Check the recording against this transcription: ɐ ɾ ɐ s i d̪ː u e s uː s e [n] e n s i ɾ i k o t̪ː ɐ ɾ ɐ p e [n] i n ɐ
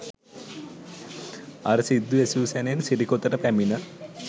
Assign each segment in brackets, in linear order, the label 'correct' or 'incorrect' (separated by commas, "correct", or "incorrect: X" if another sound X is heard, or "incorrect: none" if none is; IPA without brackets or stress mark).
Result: correct, incorrect: m